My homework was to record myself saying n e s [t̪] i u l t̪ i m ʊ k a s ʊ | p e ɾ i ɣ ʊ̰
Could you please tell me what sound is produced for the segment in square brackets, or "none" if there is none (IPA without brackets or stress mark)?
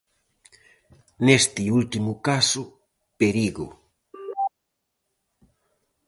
t̪